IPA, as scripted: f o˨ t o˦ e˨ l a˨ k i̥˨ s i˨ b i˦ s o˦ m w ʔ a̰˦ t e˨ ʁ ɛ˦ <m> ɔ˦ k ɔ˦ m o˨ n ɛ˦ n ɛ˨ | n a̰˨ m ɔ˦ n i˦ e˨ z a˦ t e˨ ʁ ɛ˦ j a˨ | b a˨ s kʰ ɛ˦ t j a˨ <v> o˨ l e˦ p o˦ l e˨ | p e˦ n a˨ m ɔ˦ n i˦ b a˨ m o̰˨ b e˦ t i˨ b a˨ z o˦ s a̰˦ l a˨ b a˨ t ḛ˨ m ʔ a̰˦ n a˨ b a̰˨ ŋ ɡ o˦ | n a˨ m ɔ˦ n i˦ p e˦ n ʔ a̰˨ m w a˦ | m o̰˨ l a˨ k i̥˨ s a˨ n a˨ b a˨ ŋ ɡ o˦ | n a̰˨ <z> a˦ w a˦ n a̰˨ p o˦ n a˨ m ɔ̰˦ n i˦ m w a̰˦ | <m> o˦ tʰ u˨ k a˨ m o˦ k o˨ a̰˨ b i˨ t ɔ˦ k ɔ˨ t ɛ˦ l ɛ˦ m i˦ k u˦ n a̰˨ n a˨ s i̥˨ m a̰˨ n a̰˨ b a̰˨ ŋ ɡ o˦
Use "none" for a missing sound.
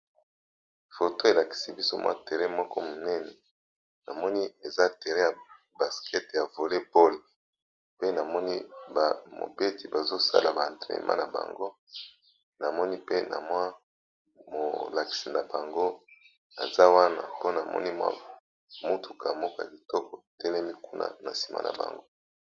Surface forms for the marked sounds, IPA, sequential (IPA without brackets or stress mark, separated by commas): m, v, z, m